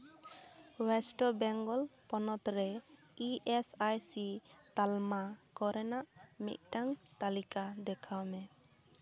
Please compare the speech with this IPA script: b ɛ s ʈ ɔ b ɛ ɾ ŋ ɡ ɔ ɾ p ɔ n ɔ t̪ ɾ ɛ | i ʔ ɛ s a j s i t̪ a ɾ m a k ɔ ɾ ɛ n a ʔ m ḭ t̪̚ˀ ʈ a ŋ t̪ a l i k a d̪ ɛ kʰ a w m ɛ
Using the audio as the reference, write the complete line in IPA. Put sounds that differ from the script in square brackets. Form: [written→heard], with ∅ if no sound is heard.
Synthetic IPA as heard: [b→w] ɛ s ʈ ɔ b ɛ [ɾ→∅] ŋ ɡ ɔ [ɾ→l] p ɔ n ɔ t̪ ɾ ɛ | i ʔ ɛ s a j s i t̪ a [ɾ→l] m a k ɔ ɾ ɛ n a ʔ m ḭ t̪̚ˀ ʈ a ŋ t̪ a l i k a d̪ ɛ kʰ a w m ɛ